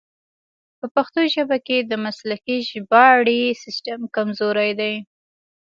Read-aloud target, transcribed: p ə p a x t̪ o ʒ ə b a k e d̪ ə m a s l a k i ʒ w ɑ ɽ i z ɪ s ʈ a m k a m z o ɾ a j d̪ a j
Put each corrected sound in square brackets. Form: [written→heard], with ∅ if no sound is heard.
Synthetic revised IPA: p ə p a x t̪ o ʒ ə b a k e d̪ ə m a s l a k i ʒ [w→b] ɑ ɽ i [z→s] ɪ s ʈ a m k a m z o ɾ a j d̪ a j